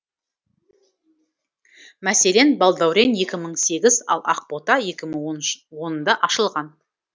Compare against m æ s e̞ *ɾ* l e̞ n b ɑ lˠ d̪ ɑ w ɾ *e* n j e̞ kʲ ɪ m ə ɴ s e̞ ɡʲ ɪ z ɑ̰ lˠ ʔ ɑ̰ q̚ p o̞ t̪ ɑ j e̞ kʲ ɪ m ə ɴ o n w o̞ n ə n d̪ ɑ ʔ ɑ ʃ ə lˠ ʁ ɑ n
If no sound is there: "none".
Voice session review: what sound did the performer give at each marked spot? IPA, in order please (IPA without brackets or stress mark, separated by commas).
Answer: none, e